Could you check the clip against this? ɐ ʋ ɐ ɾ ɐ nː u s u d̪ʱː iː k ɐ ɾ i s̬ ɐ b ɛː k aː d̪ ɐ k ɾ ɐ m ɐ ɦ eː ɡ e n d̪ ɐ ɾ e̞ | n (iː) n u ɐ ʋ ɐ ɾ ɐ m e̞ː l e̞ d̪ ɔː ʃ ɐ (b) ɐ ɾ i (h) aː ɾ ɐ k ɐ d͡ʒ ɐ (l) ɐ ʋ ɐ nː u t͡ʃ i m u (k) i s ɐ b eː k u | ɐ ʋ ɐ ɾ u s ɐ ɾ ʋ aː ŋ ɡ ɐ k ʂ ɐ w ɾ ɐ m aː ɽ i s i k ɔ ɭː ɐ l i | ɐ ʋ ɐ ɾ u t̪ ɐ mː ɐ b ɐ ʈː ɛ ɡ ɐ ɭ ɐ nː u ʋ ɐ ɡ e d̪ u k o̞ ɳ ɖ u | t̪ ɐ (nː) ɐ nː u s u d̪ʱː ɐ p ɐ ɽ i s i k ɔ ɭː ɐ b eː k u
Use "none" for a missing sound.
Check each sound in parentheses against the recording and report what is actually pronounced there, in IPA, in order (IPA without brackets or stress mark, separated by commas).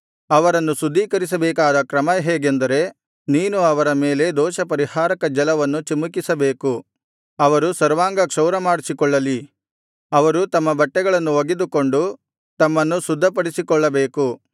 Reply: iː, p, h, l, k, mː